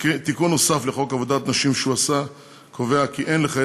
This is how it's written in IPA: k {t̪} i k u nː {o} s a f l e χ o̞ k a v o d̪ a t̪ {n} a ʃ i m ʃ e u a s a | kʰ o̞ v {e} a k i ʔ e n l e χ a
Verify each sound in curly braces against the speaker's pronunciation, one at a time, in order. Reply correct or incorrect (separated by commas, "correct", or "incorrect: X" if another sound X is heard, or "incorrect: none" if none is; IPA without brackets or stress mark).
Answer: correct, correct, correct, correct